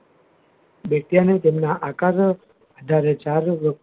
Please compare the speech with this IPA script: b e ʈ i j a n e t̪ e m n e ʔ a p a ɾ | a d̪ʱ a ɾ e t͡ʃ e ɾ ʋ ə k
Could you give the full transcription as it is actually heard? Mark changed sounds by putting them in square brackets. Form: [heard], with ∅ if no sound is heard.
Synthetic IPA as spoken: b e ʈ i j a n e t̪ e m n [a] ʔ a [k] a ɾ | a d̪ʱ a ɾ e t͡ʃ [a] ɾ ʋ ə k